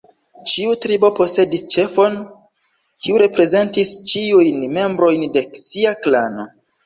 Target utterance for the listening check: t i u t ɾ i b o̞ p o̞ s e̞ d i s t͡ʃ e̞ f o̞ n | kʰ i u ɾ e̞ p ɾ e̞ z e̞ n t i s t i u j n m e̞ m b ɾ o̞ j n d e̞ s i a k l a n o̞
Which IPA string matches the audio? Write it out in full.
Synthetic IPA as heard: t͡ʃ i u t ɾ i b o̞ p o̞ s e̞ d i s t͡ʃ e̞ f o̞ n | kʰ i u ɾ e̞ p ɾ e̞ z e̞ n t i s t͡ʃ i u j n m e̞ m b ɾ o̞ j n d e̞ s i a k l a n o̞